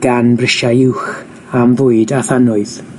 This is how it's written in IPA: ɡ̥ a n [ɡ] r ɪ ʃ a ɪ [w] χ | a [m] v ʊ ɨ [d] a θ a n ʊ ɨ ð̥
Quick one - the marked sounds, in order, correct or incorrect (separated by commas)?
incorrect, correct, correct, correct